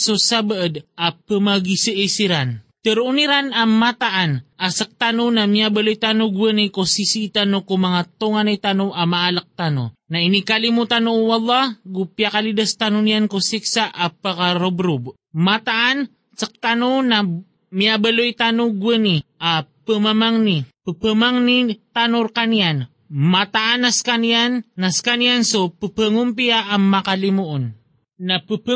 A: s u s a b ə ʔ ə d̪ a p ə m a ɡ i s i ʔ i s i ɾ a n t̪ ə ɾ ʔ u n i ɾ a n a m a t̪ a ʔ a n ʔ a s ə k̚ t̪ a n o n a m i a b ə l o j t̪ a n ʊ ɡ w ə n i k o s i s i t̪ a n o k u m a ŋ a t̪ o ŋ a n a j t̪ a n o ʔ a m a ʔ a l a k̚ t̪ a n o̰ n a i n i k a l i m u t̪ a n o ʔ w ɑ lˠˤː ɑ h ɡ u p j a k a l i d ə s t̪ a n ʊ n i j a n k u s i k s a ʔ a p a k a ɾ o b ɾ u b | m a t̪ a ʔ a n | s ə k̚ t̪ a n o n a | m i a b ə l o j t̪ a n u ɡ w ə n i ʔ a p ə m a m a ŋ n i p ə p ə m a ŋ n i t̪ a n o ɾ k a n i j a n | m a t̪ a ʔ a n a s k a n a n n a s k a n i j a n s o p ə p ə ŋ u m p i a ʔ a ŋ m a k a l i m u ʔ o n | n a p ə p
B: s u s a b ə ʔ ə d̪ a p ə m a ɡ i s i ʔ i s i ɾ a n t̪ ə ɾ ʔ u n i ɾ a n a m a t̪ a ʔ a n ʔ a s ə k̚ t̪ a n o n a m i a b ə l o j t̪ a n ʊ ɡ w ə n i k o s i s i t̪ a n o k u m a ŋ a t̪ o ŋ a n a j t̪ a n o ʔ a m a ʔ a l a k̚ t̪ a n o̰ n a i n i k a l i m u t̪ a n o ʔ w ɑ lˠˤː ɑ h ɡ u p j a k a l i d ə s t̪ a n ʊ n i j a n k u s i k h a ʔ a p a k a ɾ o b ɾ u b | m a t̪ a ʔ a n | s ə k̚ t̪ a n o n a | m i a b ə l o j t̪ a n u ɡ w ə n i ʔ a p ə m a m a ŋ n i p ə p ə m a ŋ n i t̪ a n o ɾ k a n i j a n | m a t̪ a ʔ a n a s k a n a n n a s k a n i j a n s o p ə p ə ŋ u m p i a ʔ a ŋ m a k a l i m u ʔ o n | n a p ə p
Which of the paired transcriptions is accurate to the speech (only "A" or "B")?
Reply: A